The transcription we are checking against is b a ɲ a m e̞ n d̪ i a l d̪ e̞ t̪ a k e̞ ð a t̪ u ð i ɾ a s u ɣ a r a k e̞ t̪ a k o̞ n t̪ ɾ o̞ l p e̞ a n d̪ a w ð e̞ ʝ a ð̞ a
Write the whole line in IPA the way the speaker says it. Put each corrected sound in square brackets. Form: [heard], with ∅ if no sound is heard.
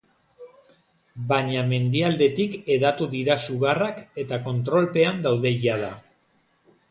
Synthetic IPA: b a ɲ a m e̞ n d̪ i a l d̪ e̞ t̪ [i] k e̞ ð a t̪ u ð i ɾ a s u ɣ a r a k e̞ t̪ a k o̞ n t̪ ɾ o̞ l p e̞ a n d̪ a w ð e̞ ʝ a ð̞ a